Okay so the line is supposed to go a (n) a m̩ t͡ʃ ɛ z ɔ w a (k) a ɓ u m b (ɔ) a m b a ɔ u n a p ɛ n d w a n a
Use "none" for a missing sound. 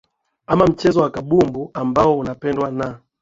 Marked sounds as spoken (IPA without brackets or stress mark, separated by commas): m, k, u